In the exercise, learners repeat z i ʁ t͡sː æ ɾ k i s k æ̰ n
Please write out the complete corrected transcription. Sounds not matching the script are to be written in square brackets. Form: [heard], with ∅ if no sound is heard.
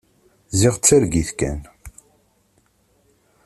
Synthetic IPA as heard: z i ʁ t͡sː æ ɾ [ɡ] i [θ] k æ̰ n